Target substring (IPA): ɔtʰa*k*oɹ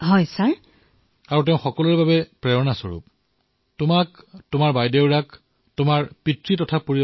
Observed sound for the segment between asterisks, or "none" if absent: p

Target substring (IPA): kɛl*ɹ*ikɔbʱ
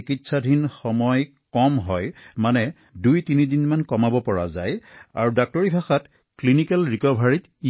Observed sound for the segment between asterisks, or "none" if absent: ɹ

